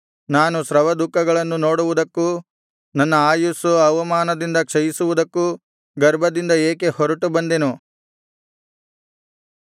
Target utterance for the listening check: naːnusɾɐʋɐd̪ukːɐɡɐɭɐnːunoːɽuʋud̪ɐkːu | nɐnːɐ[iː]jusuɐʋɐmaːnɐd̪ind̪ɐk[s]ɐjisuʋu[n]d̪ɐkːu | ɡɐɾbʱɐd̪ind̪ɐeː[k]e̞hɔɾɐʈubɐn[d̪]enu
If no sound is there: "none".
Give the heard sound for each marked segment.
aː, ʂ, none, k, d̪

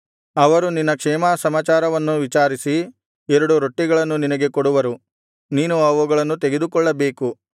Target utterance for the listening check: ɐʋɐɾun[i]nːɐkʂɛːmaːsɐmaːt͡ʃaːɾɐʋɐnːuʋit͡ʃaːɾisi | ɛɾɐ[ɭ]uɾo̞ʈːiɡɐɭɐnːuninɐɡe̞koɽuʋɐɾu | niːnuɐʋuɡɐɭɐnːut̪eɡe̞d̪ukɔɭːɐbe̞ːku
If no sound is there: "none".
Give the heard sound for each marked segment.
i, ɽ

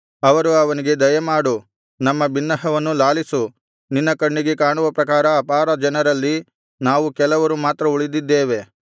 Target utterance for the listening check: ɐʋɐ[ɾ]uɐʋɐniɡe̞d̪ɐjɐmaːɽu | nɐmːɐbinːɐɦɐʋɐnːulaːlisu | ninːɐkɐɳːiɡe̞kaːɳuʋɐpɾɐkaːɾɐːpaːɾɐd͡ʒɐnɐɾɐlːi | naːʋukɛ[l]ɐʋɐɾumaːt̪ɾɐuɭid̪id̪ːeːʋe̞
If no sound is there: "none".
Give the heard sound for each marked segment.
ɾ, l

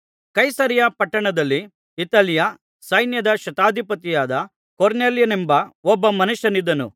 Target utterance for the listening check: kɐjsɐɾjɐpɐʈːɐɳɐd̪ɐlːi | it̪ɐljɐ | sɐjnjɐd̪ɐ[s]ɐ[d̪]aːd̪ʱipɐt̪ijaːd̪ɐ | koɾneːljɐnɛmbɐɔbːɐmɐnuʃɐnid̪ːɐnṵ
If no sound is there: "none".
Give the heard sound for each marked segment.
ʃ, t̪

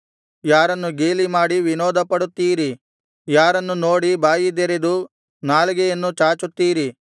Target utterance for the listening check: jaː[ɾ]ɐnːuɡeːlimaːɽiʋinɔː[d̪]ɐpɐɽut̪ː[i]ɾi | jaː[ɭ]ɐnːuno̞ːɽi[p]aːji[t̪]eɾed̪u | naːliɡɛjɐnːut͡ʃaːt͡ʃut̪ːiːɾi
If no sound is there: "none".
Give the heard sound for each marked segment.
ɾ, d̪, iː, ɾ, b, d̪

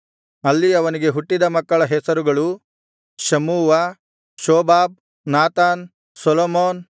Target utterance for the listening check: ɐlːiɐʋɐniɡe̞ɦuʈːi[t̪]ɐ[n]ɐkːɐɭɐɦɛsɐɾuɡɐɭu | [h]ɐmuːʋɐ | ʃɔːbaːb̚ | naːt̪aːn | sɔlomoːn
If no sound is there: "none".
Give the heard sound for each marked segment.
d̪, m, ʃ

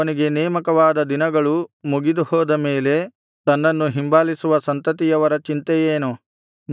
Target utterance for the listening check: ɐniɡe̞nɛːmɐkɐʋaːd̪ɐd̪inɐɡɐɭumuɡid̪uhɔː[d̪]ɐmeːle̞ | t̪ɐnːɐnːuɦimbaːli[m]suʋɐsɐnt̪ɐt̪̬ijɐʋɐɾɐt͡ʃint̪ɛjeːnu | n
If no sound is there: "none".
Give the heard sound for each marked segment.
d̪, none

